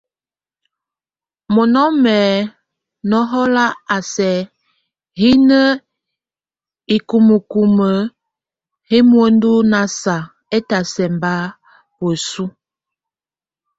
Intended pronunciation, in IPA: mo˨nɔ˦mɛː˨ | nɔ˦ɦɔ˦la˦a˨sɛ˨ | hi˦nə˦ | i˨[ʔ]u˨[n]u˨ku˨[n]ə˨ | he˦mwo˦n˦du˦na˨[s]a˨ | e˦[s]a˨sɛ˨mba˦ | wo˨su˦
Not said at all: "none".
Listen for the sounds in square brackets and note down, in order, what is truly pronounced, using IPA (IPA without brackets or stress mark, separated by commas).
k, m, m, s, t